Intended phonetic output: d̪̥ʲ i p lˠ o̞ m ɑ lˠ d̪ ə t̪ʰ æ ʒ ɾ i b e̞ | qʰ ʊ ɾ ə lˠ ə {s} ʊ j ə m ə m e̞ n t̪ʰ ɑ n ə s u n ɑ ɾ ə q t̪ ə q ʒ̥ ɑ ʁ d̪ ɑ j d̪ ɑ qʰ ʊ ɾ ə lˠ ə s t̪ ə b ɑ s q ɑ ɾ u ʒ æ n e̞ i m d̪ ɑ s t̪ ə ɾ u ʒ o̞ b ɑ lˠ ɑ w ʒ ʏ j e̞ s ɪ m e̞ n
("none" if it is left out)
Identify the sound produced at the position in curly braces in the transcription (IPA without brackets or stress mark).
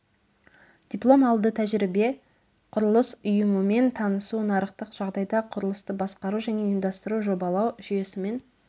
s